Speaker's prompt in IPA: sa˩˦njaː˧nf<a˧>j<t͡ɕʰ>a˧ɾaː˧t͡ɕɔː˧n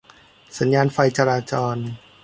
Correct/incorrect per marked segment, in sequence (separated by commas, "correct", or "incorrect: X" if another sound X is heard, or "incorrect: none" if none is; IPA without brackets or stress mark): correct, incorrect: t͡ɕ